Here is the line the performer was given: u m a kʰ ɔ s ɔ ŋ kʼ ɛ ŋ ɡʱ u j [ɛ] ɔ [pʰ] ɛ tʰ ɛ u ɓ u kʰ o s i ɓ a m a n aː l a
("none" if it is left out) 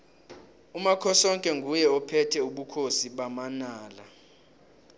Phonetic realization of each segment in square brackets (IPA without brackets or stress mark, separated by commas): ɛ, pʰ